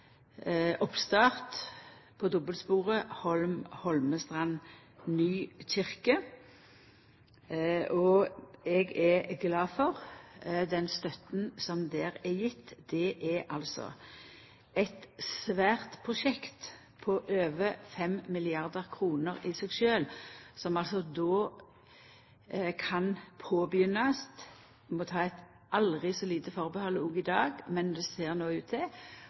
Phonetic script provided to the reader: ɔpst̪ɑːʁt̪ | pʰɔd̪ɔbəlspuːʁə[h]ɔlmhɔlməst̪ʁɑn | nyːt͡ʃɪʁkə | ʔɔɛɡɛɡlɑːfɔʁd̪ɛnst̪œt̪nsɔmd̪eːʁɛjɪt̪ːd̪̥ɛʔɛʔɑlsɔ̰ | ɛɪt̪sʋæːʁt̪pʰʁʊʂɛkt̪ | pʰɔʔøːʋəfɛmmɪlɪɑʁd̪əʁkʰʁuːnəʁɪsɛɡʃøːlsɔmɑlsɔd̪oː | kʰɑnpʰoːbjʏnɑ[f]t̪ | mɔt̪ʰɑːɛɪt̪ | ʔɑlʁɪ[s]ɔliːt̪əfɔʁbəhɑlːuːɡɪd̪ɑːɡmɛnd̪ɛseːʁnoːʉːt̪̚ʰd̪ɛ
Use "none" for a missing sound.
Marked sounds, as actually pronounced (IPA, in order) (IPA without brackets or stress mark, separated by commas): h, s, s